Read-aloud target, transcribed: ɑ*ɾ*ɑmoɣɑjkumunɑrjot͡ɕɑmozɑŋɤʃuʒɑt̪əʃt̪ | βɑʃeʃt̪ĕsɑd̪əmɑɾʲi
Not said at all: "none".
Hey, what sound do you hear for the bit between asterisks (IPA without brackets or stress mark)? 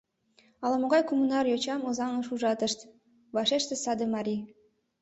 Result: l